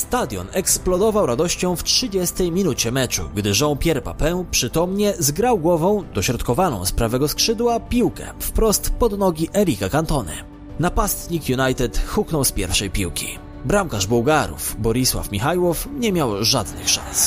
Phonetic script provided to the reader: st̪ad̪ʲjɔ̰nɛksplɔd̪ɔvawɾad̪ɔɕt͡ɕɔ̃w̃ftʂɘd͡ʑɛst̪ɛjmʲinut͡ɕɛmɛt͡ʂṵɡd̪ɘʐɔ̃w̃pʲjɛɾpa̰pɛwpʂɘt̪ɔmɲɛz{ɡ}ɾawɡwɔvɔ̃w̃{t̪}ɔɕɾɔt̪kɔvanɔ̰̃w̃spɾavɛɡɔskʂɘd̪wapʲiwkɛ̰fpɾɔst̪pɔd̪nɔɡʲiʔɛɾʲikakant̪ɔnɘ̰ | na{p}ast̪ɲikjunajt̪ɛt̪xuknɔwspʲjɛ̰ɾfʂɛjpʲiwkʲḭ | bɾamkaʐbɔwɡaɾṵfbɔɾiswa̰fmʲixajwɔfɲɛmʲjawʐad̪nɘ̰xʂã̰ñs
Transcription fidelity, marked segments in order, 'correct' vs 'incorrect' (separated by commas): correct, incorrect, correct